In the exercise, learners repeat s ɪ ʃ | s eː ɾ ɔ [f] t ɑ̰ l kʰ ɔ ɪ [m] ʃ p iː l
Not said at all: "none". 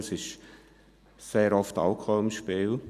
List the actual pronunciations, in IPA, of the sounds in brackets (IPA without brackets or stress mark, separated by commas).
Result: f, m